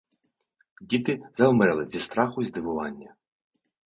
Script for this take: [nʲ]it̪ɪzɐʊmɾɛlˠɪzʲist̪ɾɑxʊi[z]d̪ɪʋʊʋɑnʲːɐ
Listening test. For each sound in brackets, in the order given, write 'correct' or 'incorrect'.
incorrect: dʲ, correct

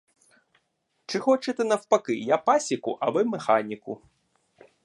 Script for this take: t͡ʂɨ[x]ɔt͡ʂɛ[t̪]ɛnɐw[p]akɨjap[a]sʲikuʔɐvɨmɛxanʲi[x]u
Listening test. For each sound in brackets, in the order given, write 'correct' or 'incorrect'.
correct, correct, correct, correct, incorrect: k

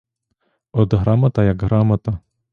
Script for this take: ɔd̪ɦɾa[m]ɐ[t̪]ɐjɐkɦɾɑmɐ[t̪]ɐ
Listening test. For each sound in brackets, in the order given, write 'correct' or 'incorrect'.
correct, correct, correct

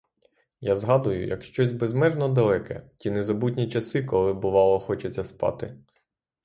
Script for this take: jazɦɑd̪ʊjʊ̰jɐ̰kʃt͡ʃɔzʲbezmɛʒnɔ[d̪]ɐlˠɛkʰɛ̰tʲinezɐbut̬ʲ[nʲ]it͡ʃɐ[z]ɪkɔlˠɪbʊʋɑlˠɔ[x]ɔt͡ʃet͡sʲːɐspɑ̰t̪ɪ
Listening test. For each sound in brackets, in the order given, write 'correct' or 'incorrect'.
correct, correct, incorrect: s, correct

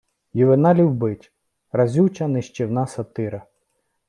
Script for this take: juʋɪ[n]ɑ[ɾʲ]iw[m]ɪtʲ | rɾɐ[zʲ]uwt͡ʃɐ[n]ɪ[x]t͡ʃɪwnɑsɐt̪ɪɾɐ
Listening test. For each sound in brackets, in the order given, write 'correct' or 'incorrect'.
correct, incorrect: lʲ, incorrect: b, correct, correct, incorrect: ʃ

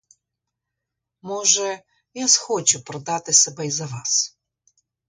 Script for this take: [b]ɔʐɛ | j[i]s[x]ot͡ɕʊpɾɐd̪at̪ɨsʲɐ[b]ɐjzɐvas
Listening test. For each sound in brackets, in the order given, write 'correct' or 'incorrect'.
incorrect: m, incorrect: a, correct, correct

